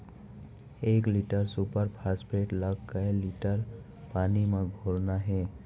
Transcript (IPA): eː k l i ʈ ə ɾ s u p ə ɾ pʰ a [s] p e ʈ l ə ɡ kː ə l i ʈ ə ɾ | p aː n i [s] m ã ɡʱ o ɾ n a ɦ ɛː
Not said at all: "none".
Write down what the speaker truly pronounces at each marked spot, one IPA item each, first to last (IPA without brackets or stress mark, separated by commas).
s, none